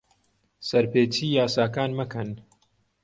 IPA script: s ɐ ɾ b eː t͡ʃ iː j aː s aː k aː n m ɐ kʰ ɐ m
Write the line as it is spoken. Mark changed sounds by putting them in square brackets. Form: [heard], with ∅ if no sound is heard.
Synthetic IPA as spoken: s ɐ ɾ [p] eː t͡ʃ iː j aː s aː k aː n m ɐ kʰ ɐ [n]